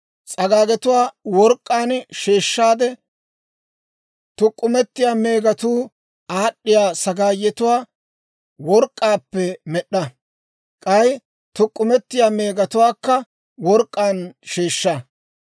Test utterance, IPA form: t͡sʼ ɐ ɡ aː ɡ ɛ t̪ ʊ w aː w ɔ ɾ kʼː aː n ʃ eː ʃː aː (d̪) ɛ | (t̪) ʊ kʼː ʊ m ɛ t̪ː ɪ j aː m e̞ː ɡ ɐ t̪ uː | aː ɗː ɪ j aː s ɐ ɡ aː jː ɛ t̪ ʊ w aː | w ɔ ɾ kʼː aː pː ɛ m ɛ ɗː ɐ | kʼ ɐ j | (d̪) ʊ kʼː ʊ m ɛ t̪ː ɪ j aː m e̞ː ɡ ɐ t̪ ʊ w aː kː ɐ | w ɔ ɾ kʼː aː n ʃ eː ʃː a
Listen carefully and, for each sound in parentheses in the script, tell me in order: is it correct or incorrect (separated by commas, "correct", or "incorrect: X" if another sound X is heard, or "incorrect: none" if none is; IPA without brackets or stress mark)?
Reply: correct, correct, incorrect: t̪